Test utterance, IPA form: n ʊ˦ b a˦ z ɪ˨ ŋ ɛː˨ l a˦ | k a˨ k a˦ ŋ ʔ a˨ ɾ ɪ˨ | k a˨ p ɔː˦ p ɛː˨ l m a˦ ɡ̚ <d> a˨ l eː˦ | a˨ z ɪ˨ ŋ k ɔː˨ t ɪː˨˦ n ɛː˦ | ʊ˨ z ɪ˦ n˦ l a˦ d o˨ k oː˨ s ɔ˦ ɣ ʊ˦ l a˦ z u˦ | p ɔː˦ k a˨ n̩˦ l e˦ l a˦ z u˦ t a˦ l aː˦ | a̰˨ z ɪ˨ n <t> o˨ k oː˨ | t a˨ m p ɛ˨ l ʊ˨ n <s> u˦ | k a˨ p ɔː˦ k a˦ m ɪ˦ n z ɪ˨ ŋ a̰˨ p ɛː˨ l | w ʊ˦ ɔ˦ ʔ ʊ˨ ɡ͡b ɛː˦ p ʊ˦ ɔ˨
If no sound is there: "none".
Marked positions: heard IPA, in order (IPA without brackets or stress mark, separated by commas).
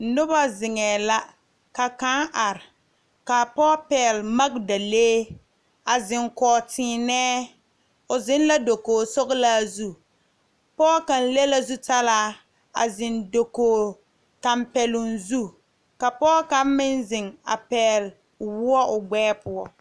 d, d, z